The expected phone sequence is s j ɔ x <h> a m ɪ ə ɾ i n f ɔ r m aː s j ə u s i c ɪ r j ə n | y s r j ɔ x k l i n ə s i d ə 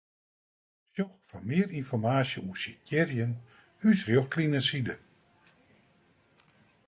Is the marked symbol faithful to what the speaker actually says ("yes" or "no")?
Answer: no